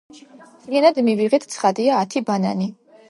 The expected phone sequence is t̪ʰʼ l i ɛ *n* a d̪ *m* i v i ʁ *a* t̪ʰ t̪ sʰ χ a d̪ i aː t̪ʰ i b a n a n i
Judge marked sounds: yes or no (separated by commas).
yes, yes, no